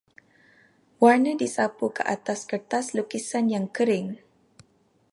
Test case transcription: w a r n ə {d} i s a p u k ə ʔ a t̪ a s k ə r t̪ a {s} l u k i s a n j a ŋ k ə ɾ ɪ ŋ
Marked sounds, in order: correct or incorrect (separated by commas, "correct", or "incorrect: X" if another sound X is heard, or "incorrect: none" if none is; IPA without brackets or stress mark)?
correct, correct